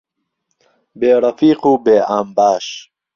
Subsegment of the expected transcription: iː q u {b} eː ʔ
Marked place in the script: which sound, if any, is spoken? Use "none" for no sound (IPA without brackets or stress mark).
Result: b